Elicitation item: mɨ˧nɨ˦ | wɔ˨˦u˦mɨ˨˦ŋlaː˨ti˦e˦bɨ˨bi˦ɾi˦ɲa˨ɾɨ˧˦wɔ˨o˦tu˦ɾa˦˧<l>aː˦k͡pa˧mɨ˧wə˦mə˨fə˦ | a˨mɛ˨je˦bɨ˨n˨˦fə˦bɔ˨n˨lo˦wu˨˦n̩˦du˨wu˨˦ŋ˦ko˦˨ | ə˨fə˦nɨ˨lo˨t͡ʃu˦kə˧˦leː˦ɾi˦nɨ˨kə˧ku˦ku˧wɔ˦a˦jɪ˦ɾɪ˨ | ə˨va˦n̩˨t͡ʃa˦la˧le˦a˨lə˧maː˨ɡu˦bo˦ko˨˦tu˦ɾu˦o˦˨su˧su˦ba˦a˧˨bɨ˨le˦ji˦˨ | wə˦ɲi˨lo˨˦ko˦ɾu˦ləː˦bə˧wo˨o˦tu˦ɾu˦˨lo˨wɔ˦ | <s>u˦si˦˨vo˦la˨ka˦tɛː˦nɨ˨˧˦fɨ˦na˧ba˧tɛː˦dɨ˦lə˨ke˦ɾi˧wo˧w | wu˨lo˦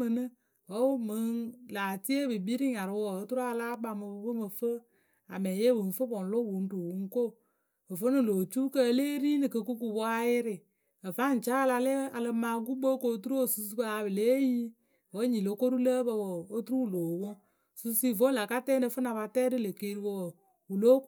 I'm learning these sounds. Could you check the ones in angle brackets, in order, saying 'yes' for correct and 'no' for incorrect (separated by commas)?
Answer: yes, yes